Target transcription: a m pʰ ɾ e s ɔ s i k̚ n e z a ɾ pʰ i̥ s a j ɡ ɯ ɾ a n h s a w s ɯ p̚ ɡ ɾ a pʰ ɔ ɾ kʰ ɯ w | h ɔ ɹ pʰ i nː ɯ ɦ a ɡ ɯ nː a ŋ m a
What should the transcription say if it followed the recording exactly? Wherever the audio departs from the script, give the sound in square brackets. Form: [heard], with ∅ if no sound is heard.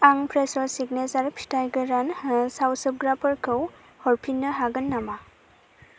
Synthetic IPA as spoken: a [ŋ] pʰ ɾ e s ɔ s i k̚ n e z a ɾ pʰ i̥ [t] a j ɡ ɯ ɾ a n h s a w s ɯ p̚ ɡ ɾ a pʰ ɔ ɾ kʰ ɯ w | h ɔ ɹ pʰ i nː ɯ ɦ a ɡ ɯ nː a [∅] m a